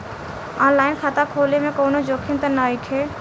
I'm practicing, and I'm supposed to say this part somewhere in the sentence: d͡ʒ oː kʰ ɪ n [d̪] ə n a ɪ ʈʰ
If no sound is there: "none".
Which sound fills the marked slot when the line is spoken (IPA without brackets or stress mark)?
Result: t̪